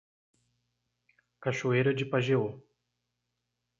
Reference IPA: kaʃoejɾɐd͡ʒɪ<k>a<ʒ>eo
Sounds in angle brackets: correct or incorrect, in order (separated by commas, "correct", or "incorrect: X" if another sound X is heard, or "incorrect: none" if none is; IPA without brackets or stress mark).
incorrect: p, correct